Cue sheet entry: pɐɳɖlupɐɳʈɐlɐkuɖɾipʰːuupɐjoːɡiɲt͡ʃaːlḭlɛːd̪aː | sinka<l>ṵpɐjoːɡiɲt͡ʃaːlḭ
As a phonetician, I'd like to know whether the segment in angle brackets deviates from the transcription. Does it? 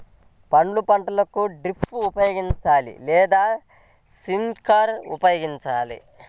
yes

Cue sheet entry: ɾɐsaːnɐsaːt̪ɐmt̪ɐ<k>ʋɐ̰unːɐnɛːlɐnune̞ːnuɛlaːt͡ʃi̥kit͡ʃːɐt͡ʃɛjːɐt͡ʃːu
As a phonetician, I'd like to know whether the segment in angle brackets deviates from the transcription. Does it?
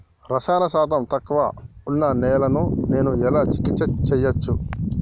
no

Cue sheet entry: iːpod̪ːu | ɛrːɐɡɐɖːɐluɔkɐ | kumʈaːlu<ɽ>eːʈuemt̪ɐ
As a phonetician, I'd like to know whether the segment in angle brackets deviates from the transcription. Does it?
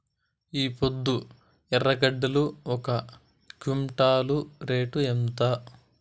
yes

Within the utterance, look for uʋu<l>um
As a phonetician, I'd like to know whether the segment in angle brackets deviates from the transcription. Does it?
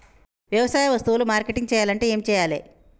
no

